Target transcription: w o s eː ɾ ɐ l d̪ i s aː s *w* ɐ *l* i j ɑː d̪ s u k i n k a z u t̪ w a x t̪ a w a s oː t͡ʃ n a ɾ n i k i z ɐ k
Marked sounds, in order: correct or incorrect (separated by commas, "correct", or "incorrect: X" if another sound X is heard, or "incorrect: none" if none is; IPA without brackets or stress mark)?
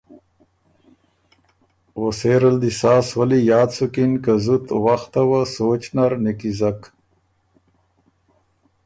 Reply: correct, correct